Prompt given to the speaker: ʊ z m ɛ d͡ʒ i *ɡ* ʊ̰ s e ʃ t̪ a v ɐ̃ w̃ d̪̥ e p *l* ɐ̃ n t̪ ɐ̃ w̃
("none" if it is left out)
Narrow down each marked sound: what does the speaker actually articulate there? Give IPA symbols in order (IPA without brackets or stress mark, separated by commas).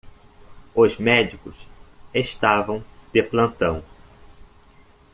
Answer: k, l